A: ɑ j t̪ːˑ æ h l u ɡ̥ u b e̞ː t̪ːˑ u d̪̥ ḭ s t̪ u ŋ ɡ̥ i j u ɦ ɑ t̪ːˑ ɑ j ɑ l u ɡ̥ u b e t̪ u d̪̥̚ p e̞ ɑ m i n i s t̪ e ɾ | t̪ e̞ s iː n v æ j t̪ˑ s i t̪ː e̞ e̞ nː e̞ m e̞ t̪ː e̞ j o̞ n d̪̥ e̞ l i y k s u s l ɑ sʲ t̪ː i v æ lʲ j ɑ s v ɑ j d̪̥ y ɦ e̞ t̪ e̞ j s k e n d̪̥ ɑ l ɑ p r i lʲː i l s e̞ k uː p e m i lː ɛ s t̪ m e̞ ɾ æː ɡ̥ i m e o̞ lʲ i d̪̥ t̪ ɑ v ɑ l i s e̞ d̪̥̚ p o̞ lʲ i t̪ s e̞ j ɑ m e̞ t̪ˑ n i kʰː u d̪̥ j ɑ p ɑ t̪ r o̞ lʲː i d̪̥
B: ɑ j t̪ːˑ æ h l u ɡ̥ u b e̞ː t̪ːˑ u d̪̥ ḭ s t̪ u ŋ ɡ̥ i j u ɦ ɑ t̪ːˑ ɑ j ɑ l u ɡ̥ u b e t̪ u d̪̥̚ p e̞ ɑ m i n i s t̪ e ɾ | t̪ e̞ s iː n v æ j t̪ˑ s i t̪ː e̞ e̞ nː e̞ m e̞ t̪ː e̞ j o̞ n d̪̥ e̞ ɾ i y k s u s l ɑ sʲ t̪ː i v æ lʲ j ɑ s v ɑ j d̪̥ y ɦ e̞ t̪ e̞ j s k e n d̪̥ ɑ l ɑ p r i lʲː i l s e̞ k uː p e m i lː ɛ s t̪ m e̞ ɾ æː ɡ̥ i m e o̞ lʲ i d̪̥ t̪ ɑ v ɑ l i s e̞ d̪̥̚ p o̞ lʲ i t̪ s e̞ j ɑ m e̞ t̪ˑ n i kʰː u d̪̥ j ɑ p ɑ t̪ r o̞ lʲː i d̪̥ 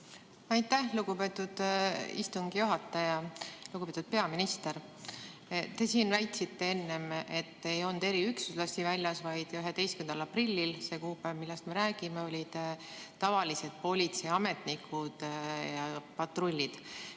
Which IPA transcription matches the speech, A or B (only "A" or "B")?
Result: B